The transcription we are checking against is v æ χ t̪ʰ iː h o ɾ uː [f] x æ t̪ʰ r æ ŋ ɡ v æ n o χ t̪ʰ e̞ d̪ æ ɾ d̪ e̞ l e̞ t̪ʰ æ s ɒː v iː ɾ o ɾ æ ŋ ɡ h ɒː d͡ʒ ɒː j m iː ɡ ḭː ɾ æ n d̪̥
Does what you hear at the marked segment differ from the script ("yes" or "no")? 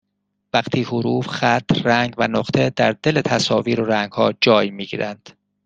no